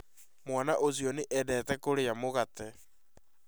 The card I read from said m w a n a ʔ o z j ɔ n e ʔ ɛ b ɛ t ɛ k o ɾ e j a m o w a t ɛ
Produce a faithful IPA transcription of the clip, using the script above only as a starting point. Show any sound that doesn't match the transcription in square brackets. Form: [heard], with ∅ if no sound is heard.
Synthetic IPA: m w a n a ʔ o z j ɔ n e ʔ ɛ [d] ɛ t ɛ k o ɾ e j a m o [ɣ] a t ɛ